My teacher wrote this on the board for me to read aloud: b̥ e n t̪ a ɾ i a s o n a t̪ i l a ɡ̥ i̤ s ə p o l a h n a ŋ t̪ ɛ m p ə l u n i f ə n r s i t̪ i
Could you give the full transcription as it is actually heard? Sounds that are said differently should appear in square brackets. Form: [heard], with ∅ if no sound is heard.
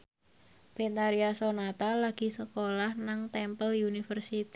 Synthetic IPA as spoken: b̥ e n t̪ a ɾ i a s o n a t̪ [a] l a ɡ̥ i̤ s ə [k] o l a h n a ŋ t̪ ɛ m p ə l u n i f ə [∅] r s i t̪ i